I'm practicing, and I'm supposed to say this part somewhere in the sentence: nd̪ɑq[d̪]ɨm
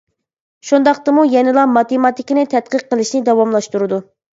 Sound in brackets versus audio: incorrect: t̪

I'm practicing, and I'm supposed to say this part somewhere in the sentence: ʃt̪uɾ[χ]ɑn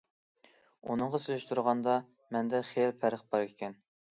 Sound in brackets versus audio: incorrect: ʁ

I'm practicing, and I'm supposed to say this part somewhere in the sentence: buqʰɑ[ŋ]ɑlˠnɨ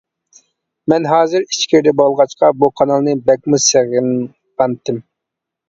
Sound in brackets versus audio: incorrect: n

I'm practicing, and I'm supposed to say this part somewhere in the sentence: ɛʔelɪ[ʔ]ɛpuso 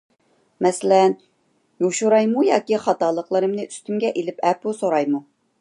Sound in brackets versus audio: incorrect: p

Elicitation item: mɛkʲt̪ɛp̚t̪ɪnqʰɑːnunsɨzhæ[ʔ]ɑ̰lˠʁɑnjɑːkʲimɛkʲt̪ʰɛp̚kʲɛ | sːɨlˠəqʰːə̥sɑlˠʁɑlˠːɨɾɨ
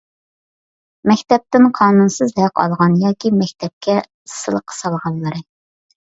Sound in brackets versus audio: incorrect: q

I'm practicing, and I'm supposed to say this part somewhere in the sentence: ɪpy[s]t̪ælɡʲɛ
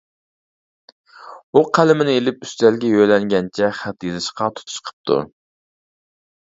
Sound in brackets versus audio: correct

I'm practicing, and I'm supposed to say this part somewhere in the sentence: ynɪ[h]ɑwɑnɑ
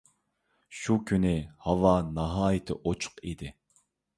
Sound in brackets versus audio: correct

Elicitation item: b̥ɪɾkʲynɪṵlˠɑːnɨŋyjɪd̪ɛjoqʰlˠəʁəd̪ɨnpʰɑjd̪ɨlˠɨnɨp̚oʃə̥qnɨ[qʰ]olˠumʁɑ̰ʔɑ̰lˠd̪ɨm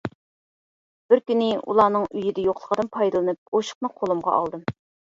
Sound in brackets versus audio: correct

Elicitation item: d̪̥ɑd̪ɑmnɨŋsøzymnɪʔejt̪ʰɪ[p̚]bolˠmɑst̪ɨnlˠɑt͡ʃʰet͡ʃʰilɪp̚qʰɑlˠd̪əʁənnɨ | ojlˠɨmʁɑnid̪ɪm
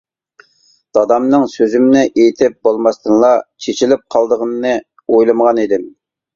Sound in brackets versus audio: correct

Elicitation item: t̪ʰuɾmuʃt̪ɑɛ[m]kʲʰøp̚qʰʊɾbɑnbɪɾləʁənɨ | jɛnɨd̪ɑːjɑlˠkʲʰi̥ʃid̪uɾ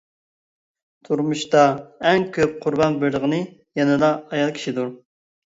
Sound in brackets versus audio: incorrect: ŋ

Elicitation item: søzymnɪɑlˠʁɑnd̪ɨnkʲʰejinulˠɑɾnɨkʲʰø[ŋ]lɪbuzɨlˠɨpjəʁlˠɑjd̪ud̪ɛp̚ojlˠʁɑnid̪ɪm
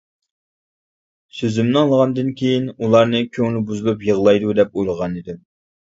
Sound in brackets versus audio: correct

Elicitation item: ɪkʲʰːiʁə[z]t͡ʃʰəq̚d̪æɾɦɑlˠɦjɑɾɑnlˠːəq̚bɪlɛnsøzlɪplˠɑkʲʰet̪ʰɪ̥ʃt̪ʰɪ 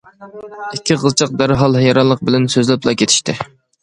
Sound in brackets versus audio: correct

